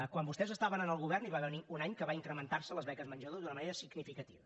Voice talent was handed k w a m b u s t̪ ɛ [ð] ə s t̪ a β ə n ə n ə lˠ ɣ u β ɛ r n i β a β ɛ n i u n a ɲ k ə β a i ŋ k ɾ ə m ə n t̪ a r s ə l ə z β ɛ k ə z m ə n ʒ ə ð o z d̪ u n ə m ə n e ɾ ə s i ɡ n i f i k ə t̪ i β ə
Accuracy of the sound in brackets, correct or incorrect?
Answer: incorrect